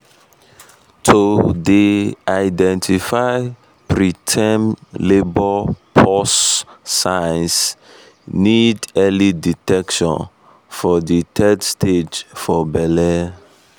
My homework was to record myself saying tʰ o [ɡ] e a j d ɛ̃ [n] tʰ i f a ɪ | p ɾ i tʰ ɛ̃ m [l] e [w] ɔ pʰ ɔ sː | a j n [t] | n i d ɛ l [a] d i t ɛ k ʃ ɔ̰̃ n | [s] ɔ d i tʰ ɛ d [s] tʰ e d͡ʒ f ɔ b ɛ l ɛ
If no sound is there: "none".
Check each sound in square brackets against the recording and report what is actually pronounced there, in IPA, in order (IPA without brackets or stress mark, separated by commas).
d, n, l, b, s, i, f, s